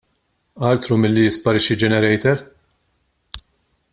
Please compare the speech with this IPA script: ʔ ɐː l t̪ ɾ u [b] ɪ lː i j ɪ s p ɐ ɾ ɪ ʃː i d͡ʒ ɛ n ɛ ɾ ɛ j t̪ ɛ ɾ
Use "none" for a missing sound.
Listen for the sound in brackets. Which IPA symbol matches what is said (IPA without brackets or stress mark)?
m